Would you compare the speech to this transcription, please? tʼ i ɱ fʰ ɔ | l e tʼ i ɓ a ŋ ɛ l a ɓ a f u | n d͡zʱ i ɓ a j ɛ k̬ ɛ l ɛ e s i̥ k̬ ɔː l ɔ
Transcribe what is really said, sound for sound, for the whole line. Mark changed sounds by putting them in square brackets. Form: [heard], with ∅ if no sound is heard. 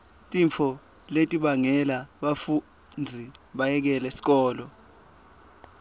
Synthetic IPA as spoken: tʼ i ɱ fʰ ɔ | l e tʼ i ɓ a ŋ ɛ l a ɓ a f u | n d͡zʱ i ɓ a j ɛ k̬ ɛ l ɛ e s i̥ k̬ ɔː l ɔ

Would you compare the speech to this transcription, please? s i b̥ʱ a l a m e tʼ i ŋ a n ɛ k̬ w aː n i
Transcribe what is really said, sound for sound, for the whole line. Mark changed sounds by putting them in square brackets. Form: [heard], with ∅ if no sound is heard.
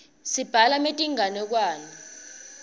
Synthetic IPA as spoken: s i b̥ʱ a l a m e tʼ i ŋ a n ɛ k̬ w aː n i

